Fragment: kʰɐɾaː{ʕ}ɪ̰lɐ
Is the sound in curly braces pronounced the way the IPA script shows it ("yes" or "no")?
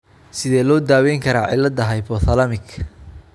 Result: yes